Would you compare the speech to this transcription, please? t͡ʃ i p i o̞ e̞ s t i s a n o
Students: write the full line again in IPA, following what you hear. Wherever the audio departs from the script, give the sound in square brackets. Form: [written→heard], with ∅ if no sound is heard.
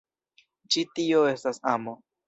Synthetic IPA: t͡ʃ i [p→t] i o̞ e̞ s t [i→a] s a [n→m] o